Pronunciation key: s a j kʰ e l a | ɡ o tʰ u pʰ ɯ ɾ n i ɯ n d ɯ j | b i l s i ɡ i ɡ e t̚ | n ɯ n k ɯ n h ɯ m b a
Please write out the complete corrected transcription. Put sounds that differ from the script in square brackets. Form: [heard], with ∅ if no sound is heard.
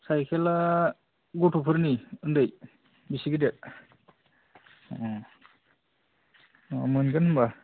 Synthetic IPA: s a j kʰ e l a | ɡ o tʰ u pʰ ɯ ɾ n i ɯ n d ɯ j | b i [∅] s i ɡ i [d] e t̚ | [m] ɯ n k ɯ n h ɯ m b a